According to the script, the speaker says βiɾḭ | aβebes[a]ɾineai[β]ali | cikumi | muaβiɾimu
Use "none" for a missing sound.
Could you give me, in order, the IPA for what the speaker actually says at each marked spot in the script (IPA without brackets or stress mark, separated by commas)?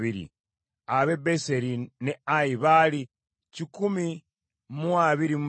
e, β